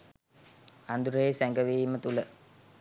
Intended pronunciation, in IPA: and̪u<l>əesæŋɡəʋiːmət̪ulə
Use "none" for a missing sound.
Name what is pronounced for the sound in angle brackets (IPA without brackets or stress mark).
ɾ